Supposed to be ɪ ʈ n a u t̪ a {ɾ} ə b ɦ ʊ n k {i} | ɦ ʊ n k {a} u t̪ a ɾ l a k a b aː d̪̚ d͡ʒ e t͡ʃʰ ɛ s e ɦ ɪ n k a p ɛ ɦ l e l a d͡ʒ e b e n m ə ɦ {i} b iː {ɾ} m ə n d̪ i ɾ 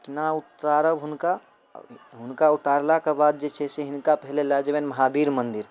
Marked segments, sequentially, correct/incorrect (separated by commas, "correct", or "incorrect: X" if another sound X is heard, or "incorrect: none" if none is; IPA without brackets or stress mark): correct, incorrect: a, correct, incorrect: a, correct